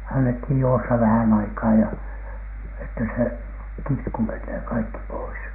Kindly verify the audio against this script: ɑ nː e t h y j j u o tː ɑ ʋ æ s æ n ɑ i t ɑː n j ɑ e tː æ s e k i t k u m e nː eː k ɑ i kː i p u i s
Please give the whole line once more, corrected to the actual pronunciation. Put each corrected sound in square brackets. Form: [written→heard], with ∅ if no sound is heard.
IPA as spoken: ɑ nː e t h [y→i] j j u o [tː→sː] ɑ ʋ æ [s→h] æ n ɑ i [t→k] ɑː [n→∅] j ɑ e tː æ s e k i t k u m e nː eː k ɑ i kː i p [u→o] i s